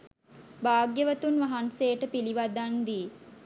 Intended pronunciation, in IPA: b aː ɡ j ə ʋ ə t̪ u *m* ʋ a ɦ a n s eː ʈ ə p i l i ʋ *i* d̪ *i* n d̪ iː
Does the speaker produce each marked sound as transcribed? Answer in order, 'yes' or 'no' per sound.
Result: no, no, no

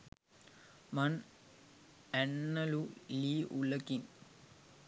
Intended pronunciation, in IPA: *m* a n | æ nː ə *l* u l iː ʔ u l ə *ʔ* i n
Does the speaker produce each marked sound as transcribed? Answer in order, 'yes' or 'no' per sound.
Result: yes, yes, no

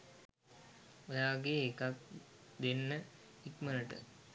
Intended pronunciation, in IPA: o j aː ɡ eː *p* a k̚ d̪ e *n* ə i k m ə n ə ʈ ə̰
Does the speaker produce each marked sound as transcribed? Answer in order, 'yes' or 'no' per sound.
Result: no, no

